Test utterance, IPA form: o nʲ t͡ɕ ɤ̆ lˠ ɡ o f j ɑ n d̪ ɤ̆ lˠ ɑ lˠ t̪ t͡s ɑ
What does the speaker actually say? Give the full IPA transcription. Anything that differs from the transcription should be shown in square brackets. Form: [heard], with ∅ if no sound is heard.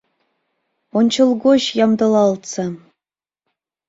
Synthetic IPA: o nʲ t͡ɕ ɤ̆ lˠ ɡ o [ɕ] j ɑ [m] d̪ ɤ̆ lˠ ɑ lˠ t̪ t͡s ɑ